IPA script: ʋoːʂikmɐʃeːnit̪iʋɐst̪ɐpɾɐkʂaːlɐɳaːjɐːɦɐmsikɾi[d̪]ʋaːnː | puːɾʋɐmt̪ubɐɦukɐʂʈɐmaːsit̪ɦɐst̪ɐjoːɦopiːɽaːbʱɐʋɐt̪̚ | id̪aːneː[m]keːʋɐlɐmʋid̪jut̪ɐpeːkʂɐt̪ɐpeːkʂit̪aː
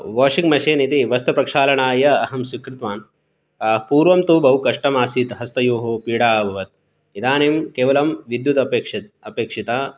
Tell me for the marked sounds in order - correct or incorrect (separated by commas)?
incorrect, correct